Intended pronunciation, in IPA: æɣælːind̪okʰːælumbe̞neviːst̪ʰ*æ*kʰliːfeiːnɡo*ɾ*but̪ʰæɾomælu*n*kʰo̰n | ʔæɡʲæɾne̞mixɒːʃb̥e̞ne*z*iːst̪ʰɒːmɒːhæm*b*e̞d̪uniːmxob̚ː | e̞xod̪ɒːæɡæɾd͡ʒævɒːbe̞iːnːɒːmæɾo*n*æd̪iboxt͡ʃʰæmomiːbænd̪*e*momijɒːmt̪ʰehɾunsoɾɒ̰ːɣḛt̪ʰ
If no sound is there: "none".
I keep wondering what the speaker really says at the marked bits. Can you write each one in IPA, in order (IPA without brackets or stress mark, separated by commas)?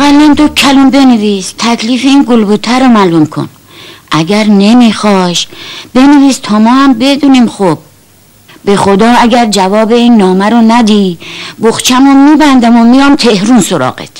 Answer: æ, l, m, v, b, n, æ